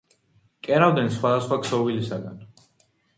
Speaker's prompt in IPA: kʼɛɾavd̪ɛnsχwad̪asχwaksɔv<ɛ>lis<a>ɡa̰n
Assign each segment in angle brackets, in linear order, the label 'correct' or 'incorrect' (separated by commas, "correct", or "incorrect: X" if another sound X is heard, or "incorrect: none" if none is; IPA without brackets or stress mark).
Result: incorrect: i, correct